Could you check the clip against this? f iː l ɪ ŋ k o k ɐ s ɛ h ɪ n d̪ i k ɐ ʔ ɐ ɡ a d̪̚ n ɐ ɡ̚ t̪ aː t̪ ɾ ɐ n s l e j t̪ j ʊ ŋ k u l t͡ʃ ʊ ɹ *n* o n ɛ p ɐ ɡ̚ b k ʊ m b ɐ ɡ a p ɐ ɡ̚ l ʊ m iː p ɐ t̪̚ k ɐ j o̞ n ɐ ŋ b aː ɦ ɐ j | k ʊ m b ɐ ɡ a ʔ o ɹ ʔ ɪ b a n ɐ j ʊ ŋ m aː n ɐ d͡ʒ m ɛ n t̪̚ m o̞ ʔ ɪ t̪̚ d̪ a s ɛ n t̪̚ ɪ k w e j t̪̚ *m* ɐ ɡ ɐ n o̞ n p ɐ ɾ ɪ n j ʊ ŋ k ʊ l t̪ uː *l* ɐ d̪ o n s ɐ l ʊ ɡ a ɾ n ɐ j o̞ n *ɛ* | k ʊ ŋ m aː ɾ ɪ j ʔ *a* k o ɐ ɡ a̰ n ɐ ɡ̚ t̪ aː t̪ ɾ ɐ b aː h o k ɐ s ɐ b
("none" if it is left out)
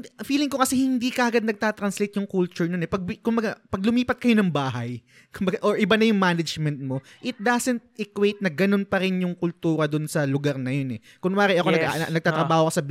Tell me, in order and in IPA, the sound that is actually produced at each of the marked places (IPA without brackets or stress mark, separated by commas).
n, n, ɾ, ɛ, ɐ